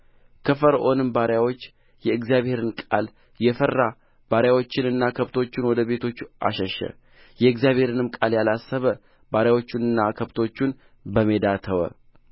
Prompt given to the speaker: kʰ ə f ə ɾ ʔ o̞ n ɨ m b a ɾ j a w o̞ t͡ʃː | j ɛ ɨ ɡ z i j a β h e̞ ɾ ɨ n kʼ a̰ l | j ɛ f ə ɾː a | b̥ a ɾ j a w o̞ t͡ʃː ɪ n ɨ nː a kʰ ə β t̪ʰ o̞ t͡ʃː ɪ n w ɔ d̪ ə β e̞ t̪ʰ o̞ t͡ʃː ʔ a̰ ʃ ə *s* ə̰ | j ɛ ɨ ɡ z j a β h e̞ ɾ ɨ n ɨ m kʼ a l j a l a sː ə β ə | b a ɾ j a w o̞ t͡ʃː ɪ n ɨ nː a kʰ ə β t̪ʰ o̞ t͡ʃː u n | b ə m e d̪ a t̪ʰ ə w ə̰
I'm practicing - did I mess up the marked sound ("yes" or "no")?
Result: yes